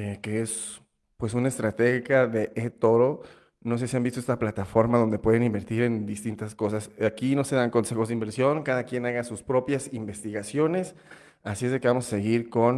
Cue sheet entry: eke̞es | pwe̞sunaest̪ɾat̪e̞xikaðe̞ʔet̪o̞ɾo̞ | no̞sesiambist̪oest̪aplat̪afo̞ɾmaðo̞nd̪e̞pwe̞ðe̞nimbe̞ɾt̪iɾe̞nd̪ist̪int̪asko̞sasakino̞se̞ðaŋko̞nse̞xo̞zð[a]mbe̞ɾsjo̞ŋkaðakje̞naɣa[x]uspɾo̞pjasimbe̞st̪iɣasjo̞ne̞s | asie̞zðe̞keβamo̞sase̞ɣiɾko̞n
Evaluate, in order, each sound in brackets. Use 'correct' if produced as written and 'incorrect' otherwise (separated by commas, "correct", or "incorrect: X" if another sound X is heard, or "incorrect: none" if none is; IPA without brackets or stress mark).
incorrect: i, incorrect: s